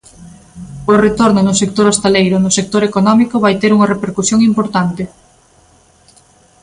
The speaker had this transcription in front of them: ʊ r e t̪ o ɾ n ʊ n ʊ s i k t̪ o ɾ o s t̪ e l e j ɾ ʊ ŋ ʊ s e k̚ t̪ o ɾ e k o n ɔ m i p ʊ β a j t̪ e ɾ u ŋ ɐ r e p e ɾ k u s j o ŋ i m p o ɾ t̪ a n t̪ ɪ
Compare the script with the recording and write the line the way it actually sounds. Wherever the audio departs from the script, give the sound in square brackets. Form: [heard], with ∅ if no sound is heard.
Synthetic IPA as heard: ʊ r e t̪ o ɾ n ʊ n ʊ s [e] k t̪ o ɾ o s t̪ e l e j ɾ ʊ [n] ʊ s e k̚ t̪ o ɾ e k o n ɔ m i [k] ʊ β a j t̪ e ɾ u ŋ ɐ r e p e ɾ k u s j o ŋ i m p o ɾ t̪ a n t̪ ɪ